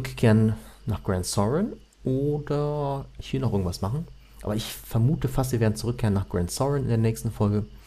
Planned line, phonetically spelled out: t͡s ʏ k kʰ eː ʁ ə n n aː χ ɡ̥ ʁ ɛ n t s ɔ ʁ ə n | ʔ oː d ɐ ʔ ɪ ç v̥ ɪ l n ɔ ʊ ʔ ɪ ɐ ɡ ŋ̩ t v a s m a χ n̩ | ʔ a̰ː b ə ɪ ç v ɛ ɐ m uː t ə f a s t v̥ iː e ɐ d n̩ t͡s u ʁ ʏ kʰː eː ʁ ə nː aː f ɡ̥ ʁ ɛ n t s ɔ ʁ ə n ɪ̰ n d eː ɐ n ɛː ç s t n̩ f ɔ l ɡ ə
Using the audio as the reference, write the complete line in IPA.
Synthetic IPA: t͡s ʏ k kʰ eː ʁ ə n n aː χ ɡ̥ ʁ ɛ n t s ɔ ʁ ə n | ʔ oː d ɐ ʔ ɪ ç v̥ ɪ l n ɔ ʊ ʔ ɪ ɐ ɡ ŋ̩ t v a s m a χ n̩ | ʔ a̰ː b ɐ ɪ ç f ɛ ɐ m uː t ə f a s t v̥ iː e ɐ d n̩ t͡s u ʁ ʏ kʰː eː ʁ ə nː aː χ ɡ̥ ʁ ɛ n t s ɔ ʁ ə n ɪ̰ n d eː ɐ n ɛː ç s t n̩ f ɔ l ɡ ə